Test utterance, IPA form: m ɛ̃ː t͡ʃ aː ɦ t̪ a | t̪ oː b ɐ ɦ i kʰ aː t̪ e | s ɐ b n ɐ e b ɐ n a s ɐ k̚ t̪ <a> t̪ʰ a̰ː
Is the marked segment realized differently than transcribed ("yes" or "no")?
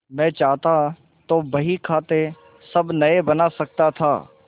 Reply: no